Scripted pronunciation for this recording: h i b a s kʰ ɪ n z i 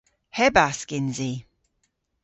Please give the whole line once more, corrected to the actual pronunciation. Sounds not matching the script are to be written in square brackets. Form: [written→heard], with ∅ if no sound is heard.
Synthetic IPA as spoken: h [i→ɛ] b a s [kʰ→k] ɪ n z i